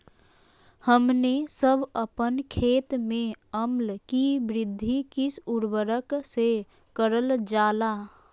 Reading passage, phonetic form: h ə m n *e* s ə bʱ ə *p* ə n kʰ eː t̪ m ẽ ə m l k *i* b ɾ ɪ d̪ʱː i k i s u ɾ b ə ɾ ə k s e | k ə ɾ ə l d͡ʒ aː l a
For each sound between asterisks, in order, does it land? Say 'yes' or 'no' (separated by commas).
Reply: yes, yes, yes